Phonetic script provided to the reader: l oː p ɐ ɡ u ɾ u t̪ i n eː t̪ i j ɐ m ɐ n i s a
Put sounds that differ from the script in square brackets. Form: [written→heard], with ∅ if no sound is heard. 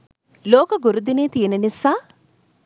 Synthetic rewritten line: l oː [p→k] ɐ ɡ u ɾ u [t̪→d̪] i n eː t̪ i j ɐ [m→n] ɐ n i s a